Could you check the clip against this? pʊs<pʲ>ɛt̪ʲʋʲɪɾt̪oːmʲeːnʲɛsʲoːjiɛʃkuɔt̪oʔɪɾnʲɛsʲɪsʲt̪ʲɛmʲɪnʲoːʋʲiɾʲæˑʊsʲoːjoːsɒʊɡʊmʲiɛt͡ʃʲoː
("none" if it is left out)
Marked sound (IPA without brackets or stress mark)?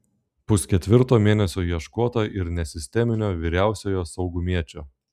kʲ